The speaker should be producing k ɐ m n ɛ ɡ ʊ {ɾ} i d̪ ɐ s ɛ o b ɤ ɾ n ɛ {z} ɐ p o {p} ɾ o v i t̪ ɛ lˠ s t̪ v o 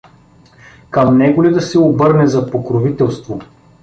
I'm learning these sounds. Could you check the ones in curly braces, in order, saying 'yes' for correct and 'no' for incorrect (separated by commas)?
no, yes, no